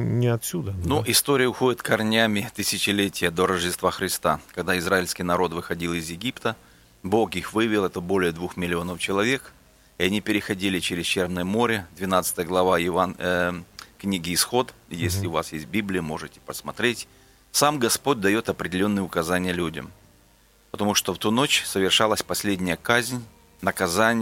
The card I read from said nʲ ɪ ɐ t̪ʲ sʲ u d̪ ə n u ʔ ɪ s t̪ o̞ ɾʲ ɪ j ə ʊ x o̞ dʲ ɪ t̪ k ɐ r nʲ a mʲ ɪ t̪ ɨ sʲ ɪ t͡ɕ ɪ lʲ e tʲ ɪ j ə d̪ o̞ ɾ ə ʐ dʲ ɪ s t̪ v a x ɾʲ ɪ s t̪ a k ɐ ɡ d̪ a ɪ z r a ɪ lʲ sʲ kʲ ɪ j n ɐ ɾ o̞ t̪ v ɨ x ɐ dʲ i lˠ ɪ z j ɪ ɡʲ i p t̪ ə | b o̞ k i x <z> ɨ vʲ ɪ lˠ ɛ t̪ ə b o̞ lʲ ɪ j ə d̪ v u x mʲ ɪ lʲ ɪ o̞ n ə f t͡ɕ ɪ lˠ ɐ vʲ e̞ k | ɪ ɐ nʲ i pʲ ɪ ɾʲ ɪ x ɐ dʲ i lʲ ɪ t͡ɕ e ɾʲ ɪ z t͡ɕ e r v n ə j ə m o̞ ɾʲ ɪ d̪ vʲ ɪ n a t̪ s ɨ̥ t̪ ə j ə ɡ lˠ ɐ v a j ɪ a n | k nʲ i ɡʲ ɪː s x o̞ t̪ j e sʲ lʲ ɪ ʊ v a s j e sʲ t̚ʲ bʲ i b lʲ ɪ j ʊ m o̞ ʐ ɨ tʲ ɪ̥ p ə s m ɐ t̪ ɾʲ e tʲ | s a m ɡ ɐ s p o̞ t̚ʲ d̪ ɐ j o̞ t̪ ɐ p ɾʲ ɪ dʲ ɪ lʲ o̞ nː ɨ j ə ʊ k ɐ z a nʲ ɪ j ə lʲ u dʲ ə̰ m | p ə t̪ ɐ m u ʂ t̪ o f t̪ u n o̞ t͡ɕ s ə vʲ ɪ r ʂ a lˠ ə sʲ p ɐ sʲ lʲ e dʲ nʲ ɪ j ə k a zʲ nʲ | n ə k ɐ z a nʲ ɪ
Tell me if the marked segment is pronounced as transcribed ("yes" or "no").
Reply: no